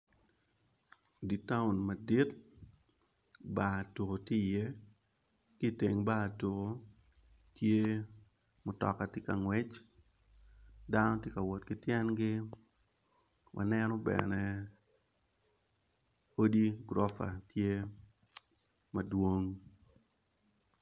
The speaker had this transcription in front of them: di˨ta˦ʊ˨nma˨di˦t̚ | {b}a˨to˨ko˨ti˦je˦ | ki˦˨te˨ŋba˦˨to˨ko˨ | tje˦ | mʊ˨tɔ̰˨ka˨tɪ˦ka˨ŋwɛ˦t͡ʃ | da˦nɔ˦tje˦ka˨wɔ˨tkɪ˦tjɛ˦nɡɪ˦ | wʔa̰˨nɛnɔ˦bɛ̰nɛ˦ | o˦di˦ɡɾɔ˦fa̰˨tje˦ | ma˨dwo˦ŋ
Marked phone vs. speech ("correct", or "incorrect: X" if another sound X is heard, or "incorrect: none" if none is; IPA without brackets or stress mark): correct